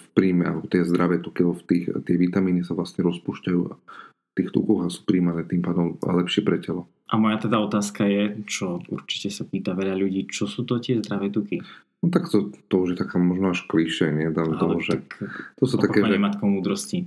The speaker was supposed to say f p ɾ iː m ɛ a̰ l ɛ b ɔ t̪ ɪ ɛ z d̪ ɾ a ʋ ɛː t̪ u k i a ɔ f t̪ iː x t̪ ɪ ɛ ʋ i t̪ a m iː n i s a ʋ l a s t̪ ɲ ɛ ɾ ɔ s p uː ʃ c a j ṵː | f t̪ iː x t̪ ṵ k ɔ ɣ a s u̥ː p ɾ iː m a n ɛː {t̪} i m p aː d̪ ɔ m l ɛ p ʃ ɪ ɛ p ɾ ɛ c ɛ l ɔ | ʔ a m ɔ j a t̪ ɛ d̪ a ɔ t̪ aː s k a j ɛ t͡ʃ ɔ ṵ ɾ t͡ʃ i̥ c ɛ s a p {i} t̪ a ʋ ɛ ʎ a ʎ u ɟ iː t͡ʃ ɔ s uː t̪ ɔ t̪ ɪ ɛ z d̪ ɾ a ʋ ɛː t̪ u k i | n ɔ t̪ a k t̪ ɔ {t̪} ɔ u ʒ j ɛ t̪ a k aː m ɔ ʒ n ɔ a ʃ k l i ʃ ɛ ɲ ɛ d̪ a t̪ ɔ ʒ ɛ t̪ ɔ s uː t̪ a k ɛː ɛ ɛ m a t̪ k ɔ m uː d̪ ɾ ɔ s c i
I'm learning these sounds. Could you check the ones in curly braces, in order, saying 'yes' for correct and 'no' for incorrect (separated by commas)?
yes, no, yes